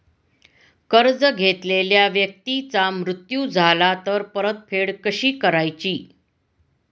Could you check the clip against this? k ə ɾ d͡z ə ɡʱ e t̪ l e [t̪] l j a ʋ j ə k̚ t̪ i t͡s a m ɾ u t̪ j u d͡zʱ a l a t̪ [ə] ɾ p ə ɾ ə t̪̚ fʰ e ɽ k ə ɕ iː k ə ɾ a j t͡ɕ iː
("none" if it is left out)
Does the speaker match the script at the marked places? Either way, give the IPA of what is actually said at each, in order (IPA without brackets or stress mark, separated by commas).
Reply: none, ə